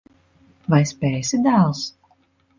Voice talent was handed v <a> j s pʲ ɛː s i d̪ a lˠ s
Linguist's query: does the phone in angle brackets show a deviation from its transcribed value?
no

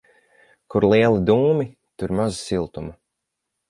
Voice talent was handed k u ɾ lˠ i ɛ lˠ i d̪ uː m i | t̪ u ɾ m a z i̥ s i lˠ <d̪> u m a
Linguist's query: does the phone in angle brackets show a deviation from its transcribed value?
yes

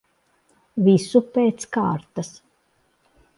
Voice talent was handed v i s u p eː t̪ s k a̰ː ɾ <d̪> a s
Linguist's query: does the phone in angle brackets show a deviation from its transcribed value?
yes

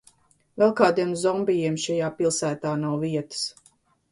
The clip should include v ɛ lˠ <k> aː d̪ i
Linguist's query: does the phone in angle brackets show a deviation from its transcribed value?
no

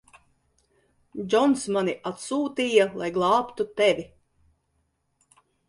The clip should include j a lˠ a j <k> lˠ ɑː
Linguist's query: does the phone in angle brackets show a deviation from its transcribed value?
yes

